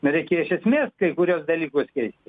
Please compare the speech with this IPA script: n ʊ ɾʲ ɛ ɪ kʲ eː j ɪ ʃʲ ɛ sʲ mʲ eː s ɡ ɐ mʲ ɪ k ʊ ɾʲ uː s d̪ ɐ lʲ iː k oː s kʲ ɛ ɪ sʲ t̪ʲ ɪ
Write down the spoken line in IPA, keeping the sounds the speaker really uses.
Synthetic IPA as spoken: n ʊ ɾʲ ɛ ɪ kʲ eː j ɪ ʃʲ ɛ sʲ mʲ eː s k ɐ ɪ k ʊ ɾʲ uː s d̪ ɐ lʲ iː k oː s kʲ ɛ ɪ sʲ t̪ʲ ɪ